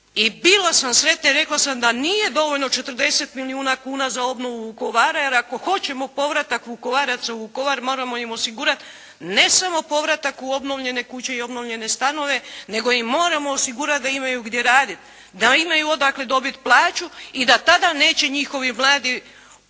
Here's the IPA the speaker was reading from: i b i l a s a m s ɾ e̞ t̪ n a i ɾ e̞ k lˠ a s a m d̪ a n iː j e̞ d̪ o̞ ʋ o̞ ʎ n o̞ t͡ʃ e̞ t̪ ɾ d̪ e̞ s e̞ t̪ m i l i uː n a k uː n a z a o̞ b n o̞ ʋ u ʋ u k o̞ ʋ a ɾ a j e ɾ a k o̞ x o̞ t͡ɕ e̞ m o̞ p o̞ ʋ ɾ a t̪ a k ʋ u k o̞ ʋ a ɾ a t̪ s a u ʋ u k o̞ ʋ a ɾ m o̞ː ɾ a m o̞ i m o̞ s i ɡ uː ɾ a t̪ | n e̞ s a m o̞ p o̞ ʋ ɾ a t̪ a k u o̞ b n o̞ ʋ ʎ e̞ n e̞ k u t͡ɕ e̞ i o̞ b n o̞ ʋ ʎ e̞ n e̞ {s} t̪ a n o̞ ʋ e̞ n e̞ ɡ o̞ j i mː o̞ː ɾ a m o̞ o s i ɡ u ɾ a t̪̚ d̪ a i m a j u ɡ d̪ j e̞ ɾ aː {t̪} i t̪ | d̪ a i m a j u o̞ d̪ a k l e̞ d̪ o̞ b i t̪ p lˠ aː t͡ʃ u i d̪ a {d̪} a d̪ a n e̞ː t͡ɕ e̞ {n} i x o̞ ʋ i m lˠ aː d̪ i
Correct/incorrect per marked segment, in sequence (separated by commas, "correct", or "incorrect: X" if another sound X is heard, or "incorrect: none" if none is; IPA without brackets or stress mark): correct, incorrect: d̪, incorrect: t̪, incorrect: ɲ